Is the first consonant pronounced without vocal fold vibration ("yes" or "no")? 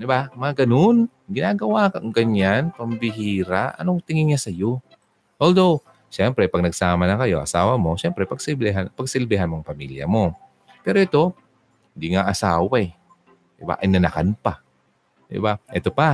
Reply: no